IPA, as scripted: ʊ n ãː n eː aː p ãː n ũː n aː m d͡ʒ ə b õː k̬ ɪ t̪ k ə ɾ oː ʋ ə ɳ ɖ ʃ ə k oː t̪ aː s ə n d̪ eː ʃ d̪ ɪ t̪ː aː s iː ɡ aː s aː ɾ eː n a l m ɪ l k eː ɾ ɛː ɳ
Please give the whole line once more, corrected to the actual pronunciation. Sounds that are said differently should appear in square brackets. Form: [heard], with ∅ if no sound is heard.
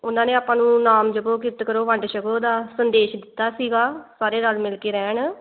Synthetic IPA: ʊ n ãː n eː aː p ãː n ũː n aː m d͡ʒ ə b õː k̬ ɪ t̪ k ə ɾ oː ʋ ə ɳ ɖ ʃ ə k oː [d̪] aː s ə n d̪ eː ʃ d̪ ɪ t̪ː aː s iː ɡ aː s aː ɾ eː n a l m ɪ l k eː ɾ ɛː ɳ